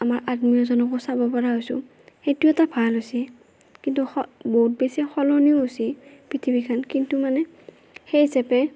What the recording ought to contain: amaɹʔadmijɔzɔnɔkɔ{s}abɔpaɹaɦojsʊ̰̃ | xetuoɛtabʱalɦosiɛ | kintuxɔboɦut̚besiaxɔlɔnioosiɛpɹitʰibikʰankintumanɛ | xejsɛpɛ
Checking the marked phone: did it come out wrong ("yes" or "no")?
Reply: no